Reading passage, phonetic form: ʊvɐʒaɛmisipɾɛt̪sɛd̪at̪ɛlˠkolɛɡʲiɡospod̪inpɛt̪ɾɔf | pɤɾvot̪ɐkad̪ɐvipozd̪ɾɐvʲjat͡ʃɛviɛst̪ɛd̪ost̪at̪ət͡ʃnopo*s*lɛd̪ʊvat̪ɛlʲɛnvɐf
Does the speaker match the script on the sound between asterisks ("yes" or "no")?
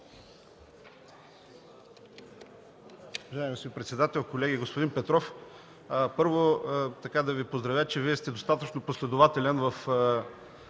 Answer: yes